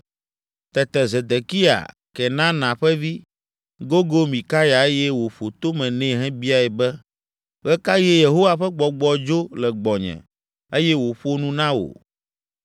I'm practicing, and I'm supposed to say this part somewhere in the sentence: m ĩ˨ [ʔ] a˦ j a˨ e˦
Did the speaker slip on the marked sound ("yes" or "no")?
yes